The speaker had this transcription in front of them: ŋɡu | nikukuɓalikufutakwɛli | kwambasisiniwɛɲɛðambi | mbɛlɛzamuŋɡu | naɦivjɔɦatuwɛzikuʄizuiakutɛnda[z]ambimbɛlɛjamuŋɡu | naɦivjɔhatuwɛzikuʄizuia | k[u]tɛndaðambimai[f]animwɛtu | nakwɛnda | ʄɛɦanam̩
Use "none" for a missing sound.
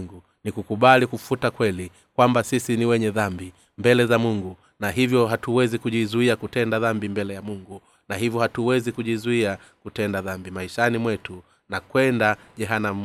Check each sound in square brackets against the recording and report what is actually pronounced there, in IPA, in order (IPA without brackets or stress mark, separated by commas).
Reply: ð, u, ʃ